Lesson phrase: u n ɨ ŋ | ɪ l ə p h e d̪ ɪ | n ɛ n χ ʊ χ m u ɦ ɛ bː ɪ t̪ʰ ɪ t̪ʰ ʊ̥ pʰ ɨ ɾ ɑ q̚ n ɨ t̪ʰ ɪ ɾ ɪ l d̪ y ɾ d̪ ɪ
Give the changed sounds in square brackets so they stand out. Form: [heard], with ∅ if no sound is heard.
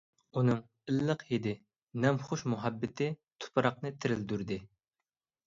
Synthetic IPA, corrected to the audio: u n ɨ ŋ | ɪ [lː] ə [q] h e d̪ ɪ | n ɛ [m] χ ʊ [ʃ] m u ɦ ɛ bː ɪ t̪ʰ ɪ t̪ʰ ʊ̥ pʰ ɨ ɾ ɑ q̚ n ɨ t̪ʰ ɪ ɾ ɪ l d̪ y ɾ d̪ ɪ